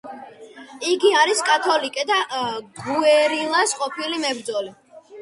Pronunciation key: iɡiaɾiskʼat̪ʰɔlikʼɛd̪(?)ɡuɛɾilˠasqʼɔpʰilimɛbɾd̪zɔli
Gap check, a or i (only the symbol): a